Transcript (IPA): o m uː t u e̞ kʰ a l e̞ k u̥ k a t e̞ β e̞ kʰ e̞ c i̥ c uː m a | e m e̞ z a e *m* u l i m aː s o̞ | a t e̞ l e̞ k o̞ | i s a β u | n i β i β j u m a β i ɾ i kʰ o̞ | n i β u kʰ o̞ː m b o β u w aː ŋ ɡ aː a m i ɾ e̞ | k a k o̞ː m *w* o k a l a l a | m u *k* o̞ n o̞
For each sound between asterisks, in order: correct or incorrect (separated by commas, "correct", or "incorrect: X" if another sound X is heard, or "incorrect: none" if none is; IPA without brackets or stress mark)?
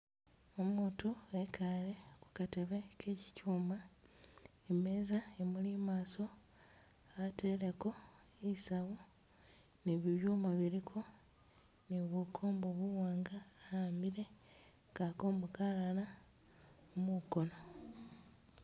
correct, incorrect: b, correct